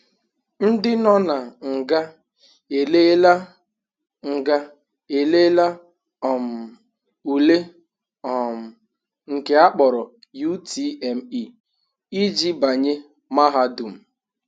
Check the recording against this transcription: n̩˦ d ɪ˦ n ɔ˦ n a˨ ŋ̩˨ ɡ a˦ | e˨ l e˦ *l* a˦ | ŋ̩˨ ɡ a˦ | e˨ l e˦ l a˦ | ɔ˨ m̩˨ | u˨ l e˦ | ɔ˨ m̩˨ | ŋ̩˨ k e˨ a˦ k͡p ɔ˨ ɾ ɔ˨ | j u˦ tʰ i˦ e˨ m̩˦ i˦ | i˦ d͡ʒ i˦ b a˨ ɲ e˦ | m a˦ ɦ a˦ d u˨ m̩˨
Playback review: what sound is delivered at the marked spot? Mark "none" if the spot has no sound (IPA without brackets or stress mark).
l